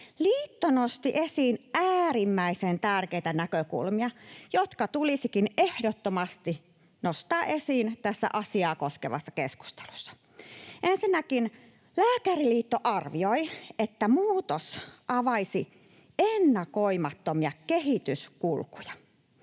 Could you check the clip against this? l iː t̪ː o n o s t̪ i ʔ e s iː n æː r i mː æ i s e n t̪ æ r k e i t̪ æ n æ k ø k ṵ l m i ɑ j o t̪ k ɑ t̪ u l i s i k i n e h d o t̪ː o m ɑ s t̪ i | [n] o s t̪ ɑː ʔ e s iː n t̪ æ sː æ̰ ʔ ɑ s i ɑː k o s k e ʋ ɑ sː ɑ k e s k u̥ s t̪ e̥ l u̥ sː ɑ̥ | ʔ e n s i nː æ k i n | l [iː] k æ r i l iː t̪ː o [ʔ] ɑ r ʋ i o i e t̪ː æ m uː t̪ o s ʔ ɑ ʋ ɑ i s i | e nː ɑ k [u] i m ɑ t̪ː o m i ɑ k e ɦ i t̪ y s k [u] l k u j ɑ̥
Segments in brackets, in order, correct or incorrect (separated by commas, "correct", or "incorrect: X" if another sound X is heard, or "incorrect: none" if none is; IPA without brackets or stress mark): correct, incorrect: æː, correct, incorrect: o, correct